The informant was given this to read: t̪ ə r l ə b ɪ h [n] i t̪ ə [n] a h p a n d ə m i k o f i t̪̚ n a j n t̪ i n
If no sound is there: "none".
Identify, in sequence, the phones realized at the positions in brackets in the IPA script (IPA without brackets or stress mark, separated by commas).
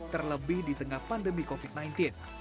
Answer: d, ŋ